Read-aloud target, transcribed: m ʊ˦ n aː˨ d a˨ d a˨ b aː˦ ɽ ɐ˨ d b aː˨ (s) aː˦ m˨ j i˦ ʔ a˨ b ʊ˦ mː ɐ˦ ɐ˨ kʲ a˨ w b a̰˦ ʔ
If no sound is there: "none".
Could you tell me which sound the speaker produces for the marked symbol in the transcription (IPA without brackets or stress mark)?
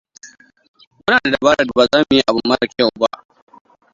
z